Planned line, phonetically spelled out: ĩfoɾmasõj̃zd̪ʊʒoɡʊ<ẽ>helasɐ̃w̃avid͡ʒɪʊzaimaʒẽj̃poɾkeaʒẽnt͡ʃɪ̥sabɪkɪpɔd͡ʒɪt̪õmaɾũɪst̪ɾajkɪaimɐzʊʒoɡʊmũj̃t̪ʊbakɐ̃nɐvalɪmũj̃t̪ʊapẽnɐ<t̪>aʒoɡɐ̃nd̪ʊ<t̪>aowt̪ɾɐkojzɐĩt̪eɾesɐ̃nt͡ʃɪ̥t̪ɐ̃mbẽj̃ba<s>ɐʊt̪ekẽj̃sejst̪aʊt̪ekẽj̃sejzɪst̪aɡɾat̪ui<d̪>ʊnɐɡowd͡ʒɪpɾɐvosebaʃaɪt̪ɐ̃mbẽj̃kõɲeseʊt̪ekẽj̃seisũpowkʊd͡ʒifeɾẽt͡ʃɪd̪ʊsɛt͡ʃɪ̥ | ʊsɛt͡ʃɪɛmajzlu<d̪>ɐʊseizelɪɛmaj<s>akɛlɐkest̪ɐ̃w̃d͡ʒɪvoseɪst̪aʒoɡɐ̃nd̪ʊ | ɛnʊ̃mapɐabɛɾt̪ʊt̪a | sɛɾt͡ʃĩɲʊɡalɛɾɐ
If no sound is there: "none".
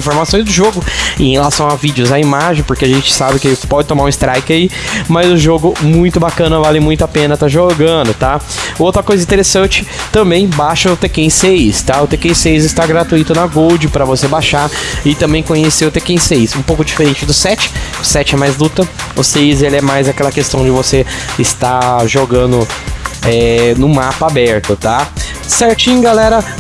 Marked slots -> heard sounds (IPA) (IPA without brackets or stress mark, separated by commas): ẽ, t̪, t̪, ʃ, t̪, t̪, z